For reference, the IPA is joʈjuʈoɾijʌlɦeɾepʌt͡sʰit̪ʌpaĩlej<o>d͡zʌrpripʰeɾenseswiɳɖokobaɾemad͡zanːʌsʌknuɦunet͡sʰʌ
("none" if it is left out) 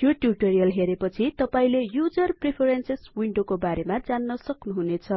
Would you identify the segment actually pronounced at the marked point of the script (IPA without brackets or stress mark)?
u